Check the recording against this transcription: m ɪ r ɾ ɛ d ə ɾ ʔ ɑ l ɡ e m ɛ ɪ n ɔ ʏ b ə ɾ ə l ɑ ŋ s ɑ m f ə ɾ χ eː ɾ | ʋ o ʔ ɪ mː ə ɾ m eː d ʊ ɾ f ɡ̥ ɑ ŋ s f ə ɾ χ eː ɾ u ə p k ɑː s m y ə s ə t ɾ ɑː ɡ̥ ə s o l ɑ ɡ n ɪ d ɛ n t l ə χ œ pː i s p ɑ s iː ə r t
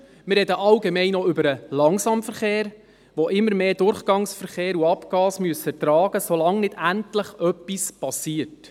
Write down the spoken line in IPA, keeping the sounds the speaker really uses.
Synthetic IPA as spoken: m ɪ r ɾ ɛ d ə ʔ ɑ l ɡ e m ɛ ɪ n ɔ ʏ b ə ɾ ə l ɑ ŋ s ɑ m f ə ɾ χ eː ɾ | ʋ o ʔ ɪ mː ə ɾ m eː d ʊ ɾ χ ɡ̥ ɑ ŋ s f ə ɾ χ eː ɾ u ɑ p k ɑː s m y ə s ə t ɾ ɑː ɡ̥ ə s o l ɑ ŋ n ɪ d æ n t l ə χ œ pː i s p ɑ s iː ə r t